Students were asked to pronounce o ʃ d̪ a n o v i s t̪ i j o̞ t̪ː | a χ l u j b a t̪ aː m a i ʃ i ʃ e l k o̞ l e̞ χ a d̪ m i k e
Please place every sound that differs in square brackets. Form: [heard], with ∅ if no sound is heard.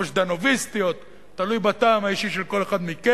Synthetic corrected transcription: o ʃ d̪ a n o v i s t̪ i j o̞ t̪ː | a [∅] l u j b a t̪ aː m a i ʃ i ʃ e l k o̞ l e̞ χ a d̪ m i k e